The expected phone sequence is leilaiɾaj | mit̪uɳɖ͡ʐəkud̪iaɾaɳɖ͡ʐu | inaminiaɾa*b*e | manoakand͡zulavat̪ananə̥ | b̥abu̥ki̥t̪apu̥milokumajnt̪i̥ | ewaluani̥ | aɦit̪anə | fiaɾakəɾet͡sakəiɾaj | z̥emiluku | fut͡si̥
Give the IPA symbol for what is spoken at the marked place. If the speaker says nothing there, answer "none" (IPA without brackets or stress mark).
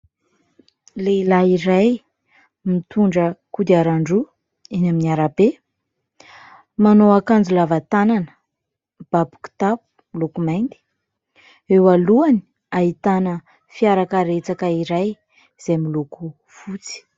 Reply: b